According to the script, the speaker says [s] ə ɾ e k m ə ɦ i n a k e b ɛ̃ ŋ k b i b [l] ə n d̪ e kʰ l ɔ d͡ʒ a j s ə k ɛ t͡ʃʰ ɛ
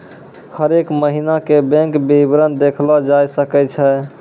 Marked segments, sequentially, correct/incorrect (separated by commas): incorrect, incorrect